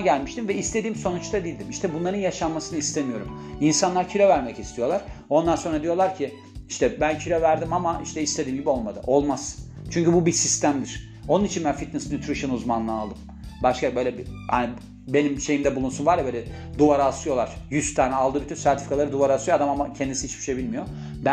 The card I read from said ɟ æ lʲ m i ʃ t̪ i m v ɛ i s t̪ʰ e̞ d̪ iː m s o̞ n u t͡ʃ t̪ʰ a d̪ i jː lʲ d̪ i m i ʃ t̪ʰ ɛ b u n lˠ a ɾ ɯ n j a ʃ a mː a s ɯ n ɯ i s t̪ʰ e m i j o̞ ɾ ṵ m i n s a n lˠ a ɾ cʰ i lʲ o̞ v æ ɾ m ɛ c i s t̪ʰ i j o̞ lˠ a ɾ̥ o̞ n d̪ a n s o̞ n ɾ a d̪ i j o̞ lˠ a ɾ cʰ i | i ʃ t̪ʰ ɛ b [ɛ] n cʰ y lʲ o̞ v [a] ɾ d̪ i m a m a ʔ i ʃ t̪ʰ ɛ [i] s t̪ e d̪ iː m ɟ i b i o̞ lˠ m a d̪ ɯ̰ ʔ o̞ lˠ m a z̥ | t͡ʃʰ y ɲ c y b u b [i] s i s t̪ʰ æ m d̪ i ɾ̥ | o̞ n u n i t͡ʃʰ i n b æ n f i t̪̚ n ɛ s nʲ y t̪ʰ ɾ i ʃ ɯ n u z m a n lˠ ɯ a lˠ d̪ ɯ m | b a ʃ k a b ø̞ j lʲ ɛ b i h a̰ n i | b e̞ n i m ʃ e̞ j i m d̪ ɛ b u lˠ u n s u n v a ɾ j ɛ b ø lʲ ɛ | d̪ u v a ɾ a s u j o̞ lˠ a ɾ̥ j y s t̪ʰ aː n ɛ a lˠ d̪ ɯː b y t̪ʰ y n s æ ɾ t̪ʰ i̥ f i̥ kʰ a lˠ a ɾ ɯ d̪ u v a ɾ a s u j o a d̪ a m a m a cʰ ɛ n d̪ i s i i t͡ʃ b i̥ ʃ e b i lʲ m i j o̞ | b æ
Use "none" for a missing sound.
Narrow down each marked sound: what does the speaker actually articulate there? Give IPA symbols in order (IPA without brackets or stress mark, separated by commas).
æ, æ, i, i